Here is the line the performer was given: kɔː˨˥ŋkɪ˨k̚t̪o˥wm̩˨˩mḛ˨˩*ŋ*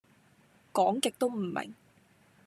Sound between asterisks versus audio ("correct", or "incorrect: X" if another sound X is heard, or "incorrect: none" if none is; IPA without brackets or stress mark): correct